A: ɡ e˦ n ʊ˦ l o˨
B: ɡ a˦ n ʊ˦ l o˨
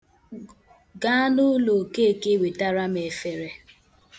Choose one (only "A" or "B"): B